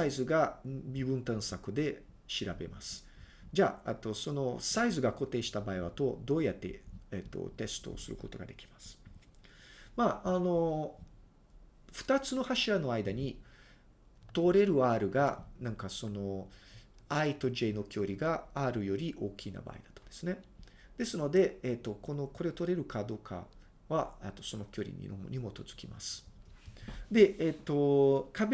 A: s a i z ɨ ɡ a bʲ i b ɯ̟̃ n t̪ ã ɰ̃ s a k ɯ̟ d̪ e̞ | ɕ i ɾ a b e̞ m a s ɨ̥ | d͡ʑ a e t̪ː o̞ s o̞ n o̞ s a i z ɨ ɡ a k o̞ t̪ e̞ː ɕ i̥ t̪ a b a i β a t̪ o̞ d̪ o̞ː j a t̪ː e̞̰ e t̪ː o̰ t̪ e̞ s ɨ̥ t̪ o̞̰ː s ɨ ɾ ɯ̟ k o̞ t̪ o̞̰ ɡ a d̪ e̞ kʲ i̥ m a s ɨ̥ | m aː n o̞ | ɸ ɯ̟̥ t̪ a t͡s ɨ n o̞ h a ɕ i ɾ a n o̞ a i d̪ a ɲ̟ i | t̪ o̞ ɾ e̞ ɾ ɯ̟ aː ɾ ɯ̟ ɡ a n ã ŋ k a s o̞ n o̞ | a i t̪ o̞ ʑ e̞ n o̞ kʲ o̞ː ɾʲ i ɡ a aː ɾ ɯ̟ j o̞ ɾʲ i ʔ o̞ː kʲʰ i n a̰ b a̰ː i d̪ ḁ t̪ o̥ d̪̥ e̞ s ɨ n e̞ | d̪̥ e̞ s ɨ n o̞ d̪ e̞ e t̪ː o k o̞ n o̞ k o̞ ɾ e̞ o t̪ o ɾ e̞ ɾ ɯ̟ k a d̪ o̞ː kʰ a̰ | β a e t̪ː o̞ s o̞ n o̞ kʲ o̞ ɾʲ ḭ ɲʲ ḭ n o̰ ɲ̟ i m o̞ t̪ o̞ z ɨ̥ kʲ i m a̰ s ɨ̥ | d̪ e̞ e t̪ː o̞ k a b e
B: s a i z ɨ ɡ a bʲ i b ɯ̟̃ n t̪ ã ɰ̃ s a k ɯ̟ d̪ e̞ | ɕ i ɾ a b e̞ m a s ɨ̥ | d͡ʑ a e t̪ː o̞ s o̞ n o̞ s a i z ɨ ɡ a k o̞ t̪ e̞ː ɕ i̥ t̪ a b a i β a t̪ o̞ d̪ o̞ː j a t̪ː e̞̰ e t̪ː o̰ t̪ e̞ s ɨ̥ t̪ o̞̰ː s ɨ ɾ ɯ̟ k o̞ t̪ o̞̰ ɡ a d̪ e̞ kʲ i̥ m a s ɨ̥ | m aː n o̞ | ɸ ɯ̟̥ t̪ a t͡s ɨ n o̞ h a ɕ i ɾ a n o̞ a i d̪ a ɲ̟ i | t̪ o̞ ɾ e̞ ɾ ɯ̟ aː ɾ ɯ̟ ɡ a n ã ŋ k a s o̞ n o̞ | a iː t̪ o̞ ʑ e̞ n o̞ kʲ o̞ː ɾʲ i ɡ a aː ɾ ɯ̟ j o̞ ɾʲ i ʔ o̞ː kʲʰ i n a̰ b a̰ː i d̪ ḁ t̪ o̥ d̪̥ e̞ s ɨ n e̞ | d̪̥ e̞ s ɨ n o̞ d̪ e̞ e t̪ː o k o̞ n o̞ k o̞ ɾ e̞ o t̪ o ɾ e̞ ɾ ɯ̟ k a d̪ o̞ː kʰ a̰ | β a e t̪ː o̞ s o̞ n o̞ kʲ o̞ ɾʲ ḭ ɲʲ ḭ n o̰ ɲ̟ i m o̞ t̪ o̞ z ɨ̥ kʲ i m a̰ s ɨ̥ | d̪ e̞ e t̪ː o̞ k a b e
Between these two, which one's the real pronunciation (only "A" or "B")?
A